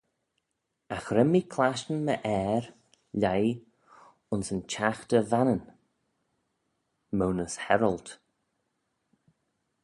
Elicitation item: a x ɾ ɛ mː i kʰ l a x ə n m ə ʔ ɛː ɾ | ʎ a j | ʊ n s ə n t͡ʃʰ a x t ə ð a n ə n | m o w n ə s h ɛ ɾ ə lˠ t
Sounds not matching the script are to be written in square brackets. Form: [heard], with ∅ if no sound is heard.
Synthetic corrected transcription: a x ɾ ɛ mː i kʰ l a [ʃ] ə n m ə ʔ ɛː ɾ | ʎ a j | ʊ n s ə n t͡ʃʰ a x t ə [v] a n ə n | m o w n ə s h ɛ ɾ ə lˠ t